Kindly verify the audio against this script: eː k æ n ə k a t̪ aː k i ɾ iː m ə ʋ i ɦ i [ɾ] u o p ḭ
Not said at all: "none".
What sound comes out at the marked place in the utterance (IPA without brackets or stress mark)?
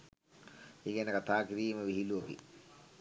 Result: l